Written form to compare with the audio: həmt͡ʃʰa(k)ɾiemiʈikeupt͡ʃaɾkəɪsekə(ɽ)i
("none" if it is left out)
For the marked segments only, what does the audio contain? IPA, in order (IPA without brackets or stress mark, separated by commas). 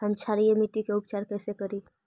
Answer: none, ɾ